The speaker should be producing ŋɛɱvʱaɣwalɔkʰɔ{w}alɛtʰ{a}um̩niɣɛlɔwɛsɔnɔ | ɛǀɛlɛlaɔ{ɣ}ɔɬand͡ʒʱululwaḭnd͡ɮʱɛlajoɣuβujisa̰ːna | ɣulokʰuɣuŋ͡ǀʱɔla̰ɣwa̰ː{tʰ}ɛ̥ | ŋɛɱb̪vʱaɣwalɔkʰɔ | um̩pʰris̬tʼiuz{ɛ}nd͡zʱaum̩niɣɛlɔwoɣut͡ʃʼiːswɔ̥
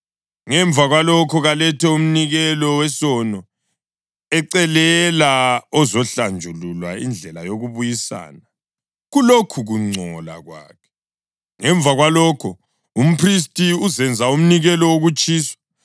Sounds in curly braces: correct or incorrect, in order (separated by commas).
incorrect, incorrect, incorrect, incorrect, correct